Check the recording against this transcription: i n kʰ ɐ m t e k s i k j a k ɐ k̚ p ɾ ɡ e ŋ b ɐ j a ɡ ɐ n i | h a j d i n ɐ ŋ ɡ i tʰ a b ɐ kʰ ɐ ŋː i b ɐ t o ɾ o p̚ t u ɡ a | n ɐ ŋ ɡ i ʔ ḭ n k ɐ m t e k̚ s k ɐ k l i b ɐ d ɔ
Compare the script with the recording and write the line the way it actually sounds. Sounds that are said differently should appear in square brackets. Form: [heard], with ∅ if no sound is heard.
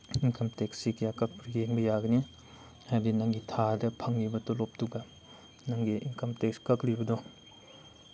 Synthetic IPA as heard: i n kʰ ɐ m t e k s i k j a k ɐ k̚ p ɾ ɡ e ŋ b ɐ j a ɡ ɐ n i | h a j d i n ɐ ŋ ɡ i tʰ a [d] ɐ [pʰ] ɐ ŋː i b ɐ t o [l] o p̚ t u ɡ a | n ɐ ŋ ɡ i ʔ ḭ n k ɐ m t e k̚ s k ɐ k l i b ɐ d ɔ